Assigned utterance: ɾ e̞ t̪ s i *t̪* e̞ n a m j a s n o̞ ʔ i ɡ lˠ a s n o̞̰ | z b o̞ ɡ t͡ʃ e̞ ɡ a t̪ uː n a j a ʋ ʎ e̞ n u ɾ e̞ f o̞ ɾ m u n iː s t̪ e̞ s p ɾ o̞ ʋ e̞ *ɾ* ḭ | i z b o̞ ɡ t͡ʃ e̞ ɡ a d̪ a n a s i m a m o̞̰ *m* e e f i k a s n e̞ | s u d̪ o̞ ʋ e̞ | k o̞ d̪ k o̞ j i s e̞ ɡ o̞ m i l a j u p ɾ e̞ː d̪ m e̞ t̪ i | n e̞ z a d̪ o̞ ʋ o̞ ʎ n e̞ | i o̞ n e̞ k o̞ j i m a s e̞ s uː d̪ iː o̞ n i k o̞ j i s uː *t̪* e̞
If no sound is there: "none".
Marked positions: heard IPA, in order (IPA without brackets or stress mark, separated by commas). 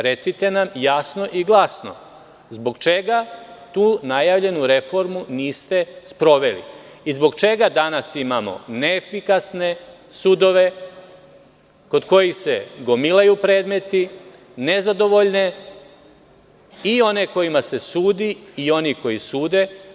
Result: t̪, l, n, d̪